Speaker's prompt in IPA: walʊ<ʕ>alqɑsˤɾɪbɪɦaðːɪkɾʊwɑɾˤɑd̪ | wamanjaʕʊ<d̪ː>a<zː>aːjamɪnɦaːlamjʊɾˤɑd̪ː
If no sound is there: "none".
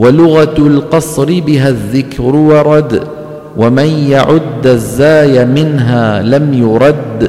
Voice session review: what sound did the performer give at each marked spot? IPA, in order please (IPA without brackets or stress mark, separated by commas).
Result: ɣ, d̪ː, zː